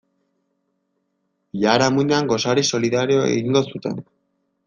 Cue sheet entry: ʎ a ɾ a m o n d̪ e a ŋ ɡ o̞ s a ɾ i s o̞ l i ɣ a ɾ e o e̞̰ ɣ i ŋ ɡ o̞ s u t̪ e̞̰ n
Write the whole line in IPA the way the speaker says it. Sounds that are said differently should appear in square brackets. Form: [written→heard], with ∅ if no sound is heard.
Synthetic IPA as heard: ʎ a ɾ a m [o→u] n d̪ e a ŋ ɡ o̞ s a ɾ i s o̞ l i [ɣ→ð] a ɾ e o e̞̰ ɣ i ŋ ɡ o̞ s u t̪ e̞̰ n